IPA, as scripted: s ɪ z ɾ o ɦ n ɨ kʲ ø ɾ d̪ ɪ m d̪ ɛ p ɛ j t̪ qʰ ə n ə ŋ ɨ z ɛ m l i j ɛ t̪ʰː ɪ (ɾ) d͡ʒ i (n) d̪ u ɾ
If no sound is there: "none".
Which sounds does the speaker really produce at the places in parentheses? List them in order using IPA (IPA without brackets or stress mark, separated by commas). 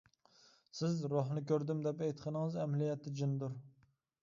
none, n